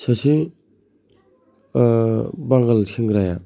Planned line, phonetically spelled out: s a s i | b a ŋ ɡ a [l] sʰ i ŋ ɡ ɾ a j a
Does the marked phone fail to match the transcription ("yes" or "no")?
no